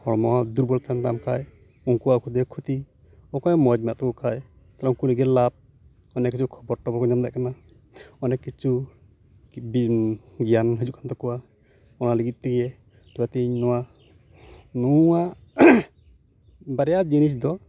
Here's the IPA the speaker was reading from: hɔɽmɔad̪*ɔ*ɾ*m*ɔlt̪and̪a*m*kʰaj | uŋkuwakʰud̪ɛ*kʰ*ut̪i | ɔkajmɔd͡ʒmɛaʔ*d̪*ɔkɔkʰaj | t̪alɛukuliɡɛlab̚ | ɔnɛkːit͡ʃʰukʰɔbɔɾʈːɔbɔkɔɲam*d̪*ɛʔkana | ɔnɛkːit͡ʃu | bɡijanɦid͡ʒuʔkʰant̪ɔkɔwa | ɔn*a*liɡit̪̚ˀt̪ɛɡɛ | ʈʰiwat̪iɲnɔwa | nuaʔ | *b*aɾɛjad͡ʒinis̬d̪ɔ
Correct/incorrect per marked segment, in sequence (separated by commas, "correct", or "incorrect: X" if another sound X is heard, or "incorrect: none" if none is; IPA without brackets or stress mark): incorrect: u, incorrect: b, correct, correct, incorrect: t̪, correct, correct, correct